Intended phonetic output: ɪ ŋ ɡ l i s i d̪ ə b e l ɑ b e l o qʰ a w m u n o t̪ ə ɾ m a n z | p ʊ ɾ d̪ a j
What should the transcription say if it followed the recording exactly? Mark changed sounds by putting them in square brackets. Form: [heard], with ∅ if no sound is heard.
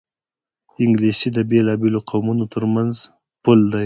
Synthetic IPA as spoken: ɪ ŋ ɡ l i s i d̪ ə b e l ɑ b e l o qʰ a w m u n o t̪ ə ɾ m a n z | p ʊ [l] d̪ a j